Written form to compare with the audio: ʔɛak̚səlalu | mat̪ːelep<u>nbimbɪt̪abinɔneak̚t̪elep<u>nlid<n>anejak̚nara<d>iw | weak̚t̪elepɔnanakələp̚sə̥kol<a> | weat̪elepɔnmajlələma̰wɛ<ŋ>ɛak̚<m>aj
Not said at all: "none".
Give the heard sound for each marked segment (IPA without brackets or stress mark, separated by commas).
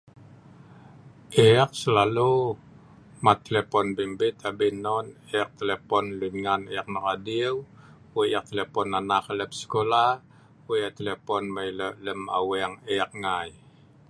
ɔ, ɔ, ŋ, d, a, ŋ, ŋ